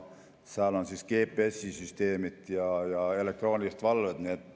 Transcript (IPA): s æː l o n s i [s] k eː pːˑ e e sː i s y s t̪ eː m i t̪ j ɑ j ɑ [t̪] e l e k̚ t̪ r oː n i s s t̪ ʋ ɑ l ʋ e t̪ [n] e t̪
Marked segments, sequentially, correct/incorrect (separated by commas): correct, incorrect, correct